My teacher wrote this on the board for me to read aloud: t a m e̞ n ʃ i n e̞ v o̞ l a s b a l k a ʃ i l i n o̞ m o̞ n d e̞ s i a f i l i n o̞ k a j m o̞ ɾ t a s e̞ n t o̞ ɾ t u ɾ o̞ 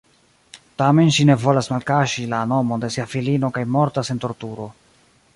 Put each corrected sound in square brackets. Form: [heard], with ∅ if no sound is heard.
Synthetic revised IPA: t a m e̞ n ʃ i n e̞ v o̞ l a s [m] a l k a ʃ i l [a] n o̞ m o̞ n d e̞ s i a f i l i n o̞ k a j m o̞ ɾ t a s e̞ n t o̞ ɾ t u ɾ o̞